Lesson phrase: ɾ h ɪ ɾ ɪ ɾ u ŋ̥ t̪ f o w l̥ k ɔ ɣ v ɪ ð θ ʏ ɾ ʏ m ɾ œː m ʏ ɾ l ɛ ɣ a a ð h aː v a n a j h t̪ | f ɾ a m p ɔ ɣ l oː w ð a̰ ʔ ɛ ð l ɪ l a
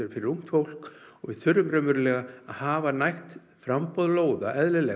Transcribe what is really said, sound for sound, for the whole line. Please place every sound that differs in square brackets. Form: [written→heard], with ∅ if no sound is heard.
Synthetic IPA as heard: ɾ [h→f] ɪ ɾ ɪ ɾ u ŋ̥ t̪ f o w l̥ k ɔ ɣ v ɪ ð θ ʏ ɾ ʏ m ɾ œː m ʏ ɾ l ɛ ɣ a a ð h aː v a n a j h t̪ | f ɾ a m p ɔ [ɣ→ð] l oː w ð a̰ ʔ ɛ ð l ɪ l [a→ɛ]